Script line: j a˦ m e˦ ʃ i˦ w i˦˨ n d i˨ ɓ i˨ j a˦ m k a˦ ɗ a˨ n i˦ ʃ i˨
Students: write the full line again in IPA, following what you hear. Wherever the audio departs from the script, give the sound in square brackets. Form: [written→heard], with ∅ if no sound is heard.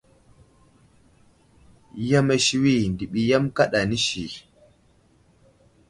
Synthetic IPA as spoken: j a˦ m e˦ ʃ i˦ w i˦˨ n d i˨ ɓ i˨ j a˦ m k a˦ ɗ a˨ n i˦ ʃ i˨